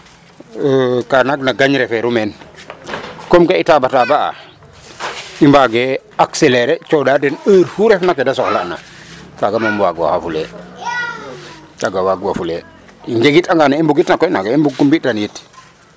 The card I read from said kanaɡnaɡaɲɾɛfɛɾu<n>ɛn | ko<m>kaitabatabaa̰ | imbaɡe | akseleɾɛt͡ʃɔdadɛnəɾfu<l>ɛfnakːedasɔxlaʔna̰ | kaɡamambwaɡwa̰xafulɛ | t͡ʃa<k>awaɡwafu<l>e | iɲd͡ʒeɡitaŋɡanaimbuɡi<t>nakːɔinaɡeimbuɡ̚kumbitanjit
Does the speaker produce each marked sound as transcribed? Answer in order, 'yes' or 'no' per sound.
no, yes, no, no, yes, yes

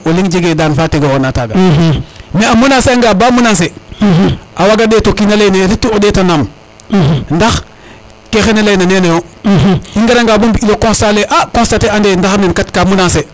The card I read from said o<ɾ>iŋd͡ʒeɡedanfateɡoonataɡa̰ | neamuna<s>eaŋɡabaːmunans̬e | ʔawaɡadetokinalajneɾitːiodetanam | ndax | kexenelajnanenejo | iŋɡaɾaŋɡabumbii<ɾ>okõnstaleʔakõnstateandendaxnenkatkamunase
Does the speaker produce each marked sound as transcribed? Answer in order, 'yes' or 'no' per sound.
no, yes, no

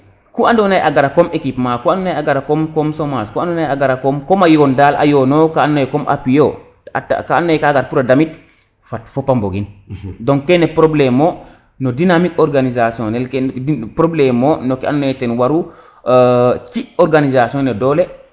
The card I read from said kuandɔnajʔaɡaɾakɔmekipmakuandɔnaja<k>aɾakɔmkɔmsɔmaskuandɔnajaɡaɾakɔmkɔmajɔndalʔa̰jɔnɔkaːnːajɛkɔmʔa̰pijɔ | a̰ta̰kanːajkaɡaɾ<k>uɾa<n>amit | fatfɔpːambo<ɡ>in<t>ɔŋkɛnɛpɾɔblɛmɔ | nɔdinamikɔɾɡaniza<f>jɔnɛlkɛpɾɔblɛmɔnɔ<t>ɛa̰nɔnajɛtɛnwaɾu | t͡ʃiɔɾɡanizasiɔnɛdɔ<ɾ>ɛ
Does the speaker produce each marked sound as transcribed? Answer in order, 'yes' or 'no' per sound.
no, no, no, yes, no, no, no, no

